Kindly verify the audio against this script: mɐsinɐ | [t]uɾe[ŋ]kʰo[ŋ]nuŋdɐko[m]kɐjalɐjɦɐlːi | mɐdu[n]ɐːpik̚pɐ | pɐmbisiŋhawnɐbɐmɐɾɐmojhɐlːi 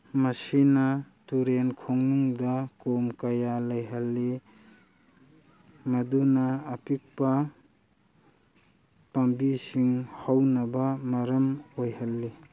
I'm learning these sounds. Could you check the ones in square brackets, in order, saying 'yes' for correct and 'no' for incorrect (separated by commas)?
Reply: yes, no, yes, yes, yes